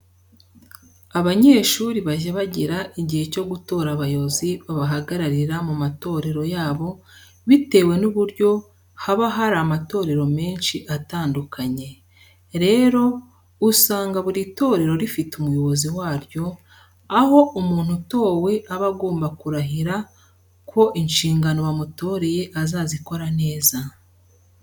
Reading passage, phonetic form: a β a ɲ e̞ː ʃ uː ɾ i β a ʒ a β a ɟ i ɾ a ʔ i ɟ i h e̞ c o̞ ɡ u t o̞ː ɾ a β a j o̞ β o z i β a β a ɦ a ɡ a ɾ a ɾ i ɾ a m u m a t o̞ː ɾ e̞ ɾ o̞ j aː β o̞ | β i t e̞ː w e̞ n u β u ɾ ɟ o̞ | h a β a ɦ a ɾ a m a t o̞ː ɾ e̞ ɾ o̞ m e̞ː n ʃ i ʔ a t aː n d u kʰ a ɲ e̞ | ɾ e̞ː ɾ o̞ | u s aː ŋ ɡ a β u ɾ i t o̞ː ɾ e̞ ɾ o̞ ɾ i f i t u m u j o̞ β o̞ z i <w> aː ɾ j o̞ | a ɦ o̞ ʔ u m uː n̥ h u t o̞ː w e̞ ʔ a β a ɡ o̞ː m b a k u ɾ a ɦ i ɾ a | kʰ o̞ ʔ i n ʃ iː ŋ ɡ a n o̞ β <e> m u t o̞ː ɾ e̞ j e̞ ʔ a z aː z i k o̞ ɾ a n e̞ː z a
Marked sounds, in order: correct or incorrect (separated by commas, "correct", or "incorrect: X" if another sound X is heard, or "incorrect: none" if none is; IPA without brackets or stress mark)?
correct, incorrect: a